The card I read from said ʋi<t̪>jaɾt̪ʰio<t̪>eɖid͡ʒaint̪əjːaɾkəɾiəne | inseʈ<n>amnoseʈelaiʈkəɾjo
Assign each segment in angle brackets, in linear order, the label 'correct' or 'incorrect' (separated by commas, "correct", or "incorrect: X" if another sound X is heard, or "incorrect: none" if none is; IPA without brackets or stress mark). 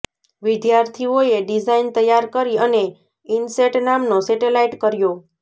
incorrect: d̪, incorrect: none, correct